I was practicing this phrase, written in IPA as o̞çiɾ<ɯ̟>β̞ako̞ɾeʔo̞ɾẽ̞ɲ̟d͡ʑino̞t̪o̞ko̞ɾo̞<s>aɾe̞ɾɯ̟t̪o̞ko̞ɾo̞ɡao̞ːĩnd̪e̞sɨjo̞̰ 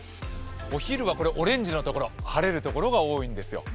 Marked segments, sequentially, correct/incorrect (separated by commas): correct, incorrect